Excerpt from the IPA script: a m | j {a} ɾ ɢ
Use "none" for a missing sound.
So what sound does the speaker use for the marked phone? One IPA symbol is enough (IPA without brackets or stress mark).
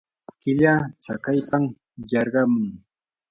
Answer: ɑ